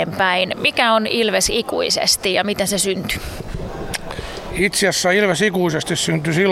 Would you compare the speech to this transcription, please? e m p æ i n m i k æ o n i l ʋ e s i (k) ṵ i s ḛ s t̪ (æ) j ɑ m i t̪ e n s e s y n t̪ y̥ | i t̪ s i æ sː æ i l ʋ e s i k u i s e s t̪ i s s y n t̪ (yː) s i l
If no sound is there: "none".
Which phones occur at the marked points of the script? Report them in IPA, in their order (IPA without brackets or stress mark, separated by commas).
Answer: k, i, y